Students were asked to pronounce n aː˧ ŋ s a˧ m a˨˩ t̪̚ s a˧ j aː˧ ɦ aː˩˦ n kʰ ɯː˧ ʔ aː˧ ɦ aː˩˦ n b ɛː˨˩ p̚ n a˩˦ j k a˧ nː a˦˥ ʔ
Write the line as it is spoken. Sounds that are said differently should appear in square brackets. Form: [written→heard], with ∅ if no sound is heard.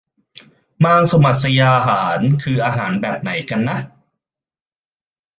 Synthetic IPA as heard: [n→m] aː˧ ŋ s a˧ m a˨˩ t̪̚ s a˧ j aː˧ ɦ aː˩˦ n kʰ ɯː˧ ʔ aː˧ ɦ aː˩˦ n b ɛː˨˩ p̚ n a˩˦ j k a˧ nː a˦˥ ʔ